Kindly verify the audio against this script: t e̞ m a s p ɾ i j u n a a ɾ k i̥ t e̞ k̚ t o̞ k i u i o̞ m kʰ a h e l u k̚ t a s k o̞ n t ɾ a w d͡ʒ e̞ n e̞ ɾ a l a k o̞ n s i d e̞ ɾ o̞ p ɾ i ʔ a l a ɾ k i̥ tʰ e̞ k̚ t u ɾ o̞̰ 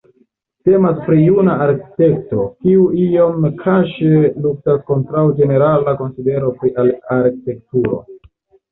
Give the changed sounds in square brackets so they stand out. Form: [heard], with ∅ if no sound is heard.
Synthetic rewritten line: t e̞ m a s p ɾ i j u n a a ɾ k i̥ t e̞ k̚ t o̞ k i u i o̞ m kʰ a [ʃ] e l u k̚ t a s k o̞ n t ɾ a w d͡ʒ e̞ n e̞ ɾ a l a k o̞ n s i d e̞ ɾ o̞ p ɾ i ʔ a l a ɾ k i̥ [t] e̞ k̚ t u ɾ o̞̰